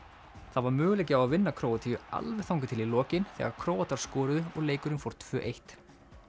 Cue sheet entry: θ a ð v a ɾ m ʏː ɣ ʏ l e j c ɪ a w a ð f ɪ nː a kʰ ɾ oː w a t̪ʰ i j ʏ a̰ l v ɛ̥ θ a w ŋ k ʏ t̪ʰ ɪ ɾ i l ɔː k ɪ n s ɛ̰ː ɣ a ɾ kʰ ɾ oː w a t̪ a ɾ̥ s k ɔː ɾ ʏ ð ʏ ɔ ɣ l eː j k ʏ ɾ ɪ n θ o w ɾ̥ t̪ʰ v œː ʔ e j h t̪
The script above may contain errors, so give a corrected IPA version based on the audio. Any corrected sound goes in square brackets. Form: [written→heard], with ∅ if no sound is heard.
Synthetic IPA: θ a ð v a ɾ m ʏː ɣ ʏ l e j c ɪ a w a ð [f→v] ɪ nː a kʰ ɾ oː w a t̪ʰ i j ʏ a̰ l v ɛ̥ θ a w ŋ k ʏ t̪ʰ ɪ [ɾ→l] i l ɔː [k→c] ɪ n [s→θ] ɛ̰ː ɣ a ɾ kʰ ɾ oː w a t̪ a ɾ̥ s k ɔː ɾ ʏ ð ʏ ɔ ɣ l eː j k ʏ ɾ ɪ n [θ→f] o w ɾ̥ t̪ʰ v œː ʔ e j h t̪

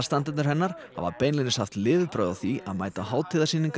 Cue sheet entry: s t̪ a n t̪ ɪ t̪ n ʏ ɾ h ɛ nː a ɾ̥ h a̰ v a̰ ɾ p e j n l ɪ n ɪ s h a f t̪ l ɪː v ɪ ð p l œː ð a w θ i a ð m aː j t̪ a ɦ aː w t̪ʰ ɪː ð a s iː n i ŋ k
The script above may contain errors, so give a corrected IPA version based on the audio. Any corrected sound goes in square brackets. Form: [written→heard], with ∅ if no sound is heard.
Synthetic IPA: s t̪ a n t̪ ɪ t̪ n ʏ ɾ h ɛ nː a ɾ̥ h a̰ v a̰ ɾ p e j n l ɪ n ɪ s h a f t̪ l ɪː v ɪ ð p [l→ɾ] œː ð a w θ i a ð m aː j t̪ a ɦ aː w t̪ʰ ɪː ð a s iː n i ŋ k

